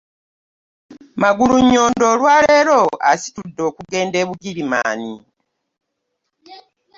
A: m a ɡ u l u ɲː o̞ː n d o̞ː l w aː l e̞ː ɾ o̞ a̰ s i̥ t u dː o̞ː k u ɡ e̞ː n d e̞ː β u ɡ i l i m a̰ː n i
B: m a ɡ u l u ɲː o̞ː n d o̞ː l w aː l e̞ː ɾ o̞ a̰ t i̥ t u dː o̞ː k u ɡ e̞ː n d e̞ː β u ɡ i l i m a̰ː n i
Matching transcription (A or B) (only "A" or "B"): A